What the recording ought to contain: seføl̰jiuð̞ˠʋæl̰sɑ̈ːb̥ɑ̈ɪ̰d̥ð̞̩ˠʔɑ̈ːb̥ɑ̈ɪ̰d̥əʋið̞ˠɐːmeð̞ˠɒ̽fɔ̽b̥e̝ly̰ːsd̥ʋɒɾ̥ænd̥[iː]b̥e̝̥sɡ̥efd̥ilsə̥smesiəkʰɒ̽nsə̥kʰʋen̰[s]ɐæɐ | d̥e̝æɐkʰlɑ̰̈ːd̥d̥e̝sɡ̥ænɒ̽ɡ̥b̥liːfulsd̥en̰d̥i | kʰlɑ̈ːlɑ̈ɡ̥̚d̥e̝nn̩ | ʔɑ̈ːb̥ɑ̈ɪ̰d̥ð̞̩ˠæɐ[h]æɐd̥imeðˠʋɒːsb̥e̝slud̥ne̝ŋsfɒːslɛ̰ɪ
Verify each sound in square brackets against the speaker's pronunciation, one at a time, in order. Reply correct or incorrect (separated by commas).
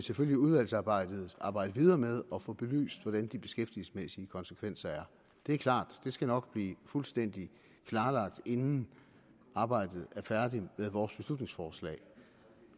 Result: incorrect, correct, incorrect